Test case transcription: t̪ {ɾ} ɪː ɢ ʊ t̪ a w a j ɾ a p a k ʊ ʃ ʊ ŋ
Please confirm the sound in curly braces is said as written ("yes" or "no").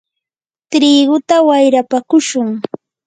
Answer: yes